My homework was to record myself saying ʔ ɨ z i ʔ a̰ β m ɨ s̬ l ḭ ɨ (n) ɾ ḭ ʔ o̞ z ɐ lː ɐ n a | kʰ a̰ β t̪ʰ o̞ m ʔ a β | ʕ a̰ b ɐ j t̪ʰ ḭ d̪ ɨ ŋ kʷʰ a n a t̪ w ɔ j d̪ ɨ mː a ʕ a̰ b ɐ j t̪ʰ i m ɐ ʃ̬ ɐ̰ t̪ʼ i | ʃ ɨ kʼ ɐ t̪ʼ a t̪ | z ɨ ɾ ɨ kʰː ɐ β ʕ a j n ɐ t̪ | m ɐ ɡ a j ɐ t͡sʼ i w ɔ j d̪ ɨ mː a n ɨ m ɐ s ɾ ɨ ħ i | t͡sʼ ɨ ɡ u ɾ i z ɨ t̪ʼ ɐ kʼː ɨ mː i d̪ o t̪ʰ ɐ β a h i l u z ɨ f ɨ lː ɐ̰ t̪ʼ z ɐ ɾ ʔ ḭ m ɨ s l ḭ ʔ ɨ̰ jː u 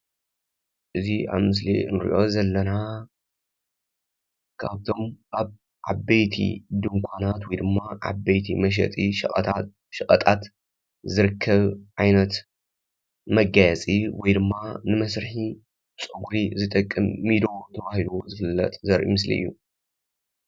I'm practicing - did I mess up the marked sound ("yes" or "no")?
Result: no